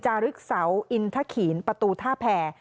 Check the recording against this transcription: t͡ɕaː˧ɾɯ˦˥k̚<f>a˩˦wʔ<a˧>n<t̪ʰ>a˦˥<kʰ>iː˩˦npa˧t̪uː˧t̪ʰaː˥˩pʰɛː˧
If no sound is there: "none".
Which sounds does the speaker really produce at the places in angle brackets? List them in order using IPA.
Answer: s, i˧, t̪ʰ, kʰ

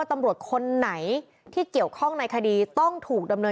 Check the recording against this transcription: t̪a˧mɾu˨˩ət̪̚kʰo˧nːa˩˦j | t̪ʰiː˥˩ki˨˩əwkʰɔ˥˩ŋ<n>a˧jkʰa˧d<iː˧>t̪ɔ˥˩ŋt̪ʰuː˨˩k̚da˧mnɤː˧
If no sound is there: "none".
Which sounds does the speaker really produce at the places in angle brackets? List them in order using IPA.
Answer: n, iː˧

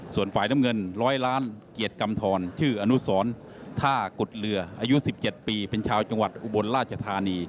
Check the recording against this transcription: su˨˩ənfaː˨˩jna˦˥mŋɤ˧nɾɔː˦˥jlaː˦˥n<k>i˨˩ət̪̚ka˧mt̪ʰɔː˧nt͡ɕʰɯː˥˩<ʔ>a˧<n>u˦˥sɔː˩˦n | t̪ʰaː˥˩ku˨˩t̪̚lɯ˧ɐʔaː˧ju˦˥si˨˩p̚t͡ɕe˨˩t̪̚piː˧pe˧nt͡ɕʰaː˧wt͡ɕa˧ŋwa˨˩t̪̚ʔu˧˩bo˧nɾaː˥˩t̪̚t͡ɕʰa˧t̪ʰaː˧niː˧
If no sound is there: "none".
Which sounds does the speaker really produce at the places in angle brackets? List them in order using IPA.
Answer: k, ʔ, n

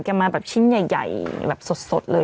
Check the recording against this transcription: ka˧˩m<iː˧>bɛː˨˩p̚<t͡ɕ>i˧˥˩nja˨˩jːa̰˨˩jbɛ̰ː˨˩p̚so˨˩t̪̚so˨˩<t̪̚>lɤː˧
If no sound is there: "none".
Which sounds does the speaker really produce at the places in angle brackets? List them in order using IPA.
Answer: aː˧, t͡ɕʰ, t̪̚

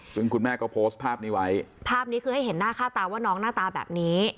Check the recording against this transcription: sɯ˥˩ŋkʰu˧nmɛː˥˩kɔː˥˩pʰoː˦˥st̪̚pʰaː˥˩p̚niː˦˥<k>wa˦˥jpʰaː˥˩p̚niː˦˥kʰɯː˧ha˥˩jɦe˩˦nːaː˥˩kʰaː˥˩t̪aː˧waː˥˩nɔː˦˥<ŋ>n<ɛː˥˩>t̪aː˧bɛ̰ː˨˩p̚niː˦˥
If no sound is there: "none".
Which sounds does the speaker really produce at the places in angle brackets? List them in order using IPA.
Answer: none, ŋ, aː˥˩

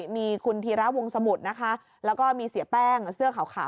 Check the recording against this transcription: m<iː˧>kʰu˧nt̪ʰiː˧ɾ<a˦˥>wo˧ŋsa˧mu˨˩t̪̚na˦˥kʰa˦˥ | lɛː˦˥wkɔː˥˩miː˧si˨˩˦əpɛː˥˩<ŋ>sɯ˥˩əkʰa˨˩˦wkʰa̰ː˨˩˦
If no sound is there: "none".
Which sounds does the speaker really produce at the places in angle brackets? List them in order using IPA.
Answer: iː˧, a˦˥, ŋ

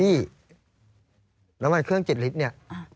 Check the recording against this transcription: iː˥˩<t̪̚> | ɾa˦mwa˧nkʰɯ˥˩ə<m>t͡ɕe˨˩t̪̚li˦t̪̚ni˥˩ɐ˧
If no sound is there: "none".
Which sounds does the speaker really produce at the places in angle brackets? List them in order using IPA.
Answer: none, ŋ

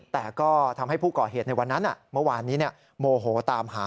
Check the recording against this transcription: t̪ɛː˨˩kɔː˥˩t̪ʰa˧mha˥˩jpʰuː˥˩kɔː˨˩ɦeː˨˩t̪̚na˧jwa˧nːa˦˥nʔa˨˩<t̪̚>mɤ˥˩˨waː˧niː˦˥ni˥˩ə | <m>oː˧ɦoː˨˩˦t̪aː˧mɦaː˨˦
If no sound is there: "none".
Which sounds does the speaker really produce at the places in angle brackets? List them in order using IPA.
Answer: none, m

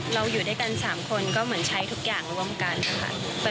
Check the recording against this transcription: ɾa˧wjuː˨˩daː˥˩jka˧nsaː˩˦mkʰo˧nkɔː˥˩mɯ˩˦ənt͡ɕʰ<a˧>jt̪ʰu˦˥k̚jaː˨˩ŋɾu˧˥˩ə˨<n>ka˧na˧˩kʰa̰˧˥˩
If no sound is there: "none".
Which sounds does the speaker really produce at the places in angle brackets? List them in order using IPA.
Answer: a˦˥, m

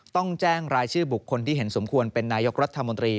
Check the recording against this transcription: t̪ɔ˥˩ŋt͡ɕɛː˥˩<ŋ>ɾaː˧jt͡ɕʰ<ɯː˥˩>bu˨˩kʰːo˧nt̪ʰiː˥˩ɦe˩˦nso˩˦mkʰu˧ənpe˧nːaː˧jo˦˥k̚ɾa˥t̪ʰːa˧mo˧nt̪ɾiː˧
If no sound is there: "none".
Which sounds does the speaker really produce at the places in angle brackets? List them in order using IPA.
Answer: ŋ, ɯː˥˩

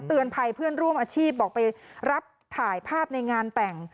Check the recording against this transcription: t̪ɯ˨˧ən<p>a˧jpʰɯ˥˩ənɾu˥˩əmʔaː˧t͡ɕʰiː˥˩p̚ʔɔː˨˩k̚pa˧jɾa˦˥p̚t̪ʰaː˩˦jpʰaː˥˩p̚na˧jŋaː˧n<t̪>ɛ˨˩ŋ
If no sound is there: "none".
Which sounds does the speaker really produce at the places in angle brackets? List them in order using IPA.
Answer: pʰ, t̪

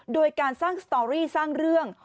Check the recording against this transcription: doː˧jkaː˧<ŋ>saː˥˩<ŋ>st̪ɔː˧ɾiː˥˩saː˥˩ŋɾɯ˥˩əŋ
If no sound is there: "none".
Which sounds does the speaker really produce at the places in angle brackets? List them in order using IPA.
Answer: n, ŋ

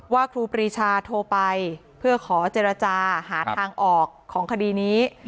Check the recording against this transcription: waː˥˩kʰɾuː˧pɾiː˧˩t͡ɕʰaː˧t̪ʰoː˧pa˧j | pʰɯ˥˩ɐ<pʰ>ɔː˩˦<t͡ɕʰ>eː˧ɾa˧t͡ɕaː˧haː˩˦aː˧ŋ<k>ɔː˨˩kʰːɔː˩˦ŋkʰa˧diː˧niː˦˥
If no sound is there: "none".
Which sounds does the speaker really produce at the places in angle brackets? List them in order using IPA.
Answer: kʰ, t͡ɕ, ʔ

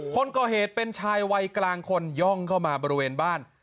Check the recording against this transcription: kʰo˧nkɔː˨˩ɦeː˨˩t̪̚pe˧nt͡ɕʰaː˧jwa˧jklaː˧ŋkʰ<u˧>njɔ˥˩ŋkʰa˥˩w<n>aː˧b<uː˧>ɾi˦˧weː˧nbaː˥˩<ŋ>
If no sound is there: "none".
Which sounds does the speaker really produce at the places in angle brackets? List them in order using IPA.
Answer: o˧, m, ɔː˧, n

